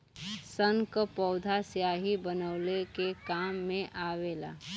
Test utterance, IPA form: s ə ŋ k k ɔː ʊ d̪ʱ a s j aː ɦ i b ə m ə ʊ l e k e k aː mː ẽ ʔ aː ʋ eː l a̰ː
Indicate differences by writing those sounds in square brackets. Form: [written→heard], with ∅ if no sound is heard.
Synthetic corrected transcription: s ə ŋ k [k→p] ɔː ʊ d̪ʱ a s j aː ɦ i b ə [m→n] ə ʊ l e k e k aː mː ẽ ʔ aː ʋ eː l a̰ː